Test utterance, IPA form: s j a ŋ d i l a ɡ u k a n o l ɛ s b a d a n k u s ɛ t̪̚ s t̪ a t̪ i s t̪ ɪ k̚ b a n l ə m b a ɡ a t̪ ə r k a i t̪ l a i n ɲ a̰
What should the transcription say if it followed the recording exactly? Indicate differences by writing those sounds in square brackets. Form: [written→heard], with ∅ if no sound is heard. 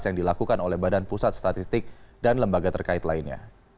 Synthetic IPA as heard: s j a ŋ d i l a [ɡ→k] u k a n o l ɛ [s→h] b a d a n [k→p] u s [ɛ→a] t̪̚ s t̪ a t̪ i s t̪ ɪ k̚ [b→d] a n l ə m b a ɡ a t̪ ə r k a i t̪ l a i n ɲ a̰